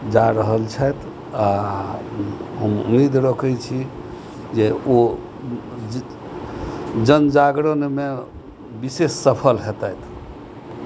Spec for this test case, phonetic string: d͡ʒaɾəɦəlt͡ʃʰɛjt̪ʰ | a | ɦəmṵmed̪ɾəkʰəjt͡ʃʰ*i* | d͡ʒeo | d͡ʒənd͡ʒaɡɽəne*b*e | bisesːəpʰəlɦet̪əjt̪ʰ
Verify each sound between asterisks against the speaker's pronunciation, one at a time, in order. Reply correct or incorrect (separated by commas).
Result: correct, incorrect